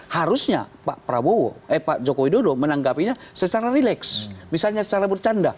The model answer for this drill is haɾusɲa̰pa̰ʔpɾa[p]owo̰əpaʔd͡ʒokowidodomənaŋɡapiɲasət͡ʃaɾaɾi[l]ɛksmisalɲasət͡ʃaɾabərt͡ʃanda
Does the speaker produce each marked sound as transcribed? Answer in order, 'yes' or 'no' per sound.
no, yes

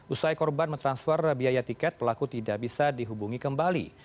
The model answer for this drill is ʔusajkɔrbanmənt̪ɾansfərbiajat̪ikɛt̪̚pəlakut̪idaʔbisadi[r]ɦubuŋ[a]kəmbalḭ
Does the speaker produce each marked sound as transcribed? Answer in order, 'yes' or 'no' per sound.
no, no

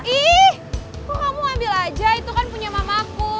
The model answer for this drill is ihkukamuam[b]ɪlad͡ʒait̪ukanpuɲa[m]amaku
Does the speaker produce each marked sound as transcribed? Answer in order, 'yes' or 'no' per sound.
yes, yes

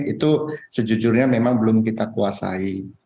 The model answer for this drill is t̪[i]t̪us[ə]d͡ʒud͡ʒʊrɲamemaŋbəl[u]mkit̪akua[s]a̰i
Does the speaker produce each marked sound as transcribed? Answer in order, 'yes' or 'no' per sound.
yes, yes, no, yes

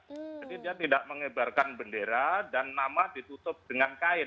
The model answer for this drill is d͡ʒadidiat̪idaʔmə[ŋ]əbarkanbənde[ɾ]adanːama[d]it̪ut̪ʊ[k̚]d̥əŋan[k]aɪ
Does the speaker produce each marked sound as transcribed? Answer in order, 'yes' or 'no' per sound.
yes, yes, yes, no, yes

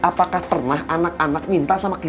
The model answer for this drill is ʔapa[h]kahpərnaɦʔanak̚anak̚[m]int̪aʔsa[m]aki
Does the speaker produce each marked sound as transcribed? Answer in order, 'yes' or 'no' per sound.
no, yes, yes

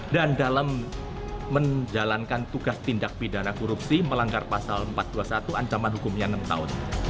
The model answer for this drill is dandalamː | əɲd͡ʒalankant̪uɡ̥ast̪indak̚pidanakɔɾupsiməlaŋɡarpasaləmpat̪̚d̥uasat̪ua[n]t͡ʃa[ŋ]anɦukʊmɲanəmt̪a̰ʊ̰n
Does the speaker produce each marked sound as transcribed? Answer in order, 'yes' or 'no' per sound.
no, no

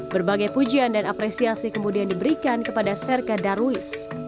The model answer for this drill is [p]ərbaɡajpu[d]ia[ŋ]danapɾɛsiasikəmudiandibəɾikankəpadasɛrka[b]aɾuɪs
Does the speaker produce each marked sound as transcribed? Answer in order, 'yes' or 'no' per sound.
no, no, no, no

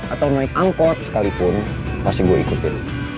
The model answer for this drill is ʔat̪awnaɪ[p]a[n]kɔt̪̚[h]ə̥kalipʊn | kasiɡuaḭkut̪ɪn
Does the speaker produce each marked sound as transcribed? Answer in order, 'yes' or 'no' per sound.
no, no, no

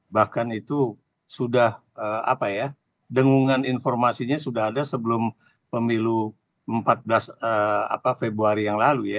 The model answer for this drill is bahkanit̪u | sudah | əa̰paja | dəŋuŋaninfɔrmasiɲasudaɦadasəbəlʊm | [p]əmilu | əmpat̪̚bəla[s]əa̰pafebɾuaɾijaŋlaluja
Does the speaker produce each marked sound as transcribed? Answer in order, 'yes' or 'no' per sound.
yes, yes

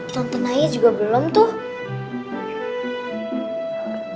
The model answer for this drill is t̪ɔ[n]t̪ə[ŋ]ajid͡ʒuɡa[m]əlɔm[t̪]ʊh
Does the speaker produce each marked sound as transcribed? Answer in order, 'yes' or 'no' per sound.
yes, no, no, yes

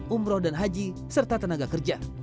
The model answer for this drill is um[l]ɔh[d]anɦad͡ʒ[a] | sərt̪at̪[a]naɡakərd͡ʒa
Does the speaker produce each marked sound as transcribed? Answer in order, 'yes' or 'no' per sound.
no, yes, no, no

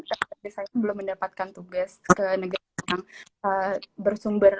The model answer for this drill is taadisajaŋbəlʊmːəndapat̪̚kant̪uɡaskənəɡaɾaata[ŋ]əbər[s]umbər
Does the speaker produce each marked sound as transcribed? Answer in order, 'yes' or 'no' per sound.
yes, yes

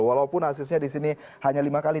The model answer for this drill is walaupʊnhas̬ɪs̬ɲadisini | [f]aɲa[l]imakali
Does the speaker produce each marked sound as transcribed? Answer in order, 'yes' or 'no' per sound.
no, yes

